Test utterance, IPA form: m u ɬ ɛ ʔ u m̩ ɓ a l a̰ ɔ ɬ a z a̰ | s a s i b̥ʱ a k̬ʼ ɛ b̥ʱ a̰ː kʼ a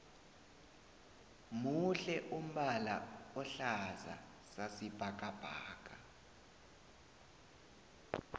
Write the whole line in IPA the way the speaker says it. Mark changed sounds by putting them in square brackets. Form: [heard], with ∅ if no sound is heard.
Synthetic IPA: m u ɬ ɛ ʔ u m̩ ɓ a l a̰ ɔ ɬ a z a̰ | s a s i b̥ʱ a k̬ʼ [a] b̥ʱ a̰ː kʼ a